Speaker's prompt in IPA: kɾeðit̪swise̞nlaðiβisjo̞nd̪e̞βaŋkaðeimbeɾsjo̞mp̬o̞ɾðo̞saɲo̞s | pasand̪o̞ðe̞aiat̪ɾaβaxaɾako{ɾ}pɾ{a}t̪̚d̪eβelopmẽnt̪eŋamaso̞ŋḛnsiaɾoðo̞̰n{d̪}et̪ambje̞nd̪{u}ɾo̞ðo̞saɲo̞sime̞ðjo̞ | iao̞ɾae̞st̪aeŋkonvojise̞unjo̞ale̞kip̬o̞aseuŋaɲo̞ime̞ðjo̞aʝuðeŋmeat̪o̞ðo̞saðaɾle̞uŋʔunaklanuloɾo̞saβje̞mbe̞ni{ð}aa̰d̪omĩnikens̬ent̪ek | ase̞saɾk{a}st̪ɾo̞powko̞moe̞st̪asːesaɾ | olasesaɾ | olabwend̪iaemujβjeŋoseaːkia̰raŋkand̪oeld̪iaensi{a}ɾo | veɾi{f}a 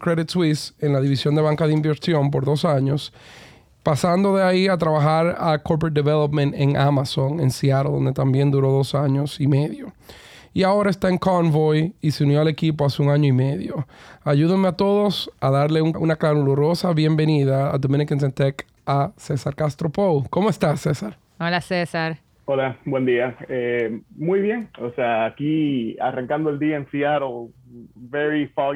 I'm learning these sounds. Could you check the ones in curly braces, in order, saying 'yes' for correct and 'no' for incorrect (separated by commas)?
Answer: yes, no, yes, yes, yes, yes, yes, yes